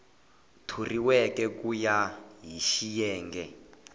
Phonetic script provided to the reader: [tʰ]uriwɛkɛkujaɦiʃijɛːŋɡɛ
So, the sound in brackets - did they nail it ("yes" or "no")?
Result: yes